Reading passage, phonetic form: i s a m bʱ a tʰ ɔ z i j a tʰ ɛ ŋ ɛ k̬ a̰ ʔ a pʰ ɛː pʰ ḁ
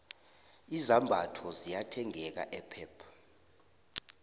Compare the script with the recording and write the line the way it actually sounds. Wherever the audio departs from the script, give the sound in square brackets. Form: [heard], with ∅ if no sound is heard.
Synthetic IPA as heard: i [z] a m bʱ a tʰ ɔ z i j a tʰ ɛ ŋ ɛ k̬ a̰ ʔ [ɛ] pʰ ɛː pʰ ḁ